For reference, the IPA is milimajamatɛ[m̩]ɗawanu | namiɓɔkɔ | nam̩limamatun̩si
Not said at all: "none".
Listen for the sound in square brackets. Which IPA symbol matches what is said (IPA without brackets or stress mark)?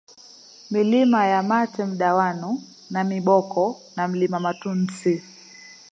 m̩